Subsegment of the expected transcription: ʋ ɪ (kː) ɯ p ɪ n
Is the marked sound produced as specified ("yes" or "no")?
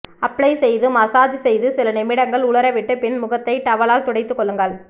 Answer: no